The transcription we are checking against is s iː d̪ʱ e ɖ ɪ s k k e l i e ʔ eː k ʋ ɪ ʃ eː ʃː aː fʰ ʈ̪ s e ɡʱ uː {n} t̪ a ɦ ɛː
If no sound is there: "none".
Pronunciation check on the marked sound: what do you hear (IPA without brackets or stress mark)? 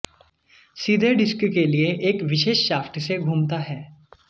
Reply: m